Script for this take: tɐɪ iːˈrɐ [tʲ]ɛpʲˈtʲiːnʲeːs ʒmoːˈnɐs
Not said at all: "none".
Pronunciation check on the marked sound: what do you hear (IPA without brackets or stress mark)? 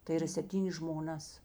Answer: sʲ